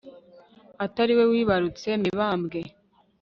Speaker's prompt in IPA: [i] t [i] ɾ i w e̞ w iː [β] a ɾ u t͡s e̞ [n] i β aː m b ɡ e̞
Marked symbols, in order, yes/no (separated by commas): no, no, yes, no